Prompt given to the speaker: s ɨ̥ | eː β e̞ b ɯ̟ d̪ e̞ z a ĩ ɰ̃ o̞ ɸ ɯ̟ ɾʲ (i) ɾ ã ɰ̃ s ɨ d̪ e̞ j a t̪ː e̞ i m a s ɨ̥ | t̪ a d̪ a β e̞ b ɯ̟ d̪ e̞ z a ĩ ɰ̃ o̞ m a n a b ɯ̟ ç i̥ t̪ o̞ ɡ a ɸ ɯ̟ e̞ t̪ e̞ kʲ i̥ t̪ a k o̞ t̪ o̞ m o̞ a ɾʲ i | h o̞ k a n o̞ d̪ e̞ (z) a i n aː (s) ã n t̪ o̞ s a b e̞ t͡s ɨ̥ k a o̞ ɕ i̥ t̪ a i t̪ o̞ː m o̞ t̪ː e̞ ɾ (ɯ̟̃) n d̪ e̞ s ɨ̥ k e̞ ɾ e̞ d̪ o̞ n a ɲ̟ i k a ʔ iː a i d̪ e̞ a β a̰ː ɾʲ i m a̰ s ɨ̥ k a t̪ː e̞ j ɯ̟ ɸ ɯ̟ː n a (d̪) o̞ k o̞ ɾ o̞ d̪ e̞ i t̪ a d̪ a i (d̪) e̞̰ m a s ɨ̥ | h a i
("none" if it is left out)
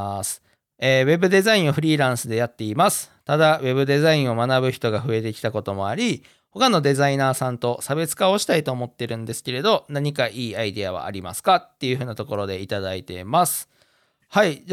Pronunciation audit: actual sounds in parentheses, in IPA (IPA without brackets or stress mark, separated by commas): iː, z, s, ɯ̟̃, t̪, t̪